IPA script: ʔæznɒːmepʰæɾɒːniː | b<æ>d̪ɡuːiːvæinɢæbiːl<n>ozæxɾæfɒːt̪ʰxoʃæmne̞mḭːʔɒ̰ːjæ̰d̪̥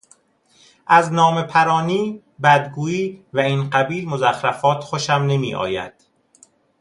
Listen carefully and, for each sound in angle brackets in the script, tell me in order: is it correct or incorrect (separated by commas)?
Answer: correct, incorrect